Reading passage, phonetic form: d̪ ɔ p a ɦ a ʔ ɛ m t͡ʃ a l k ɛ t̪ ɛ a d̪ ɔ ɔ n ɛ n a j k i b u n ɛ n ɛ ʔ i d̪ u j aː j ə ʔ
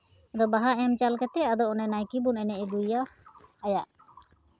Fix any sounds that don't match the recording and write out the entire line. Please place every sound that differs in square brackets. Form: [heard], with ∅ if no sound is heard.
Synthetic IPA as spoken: d̪ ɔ [b] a ɦ a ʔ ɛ m t͡ʃ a l k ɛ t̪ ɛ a d̪ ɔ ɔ n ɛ n a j k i b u n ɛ n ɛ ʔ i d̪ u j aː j [a] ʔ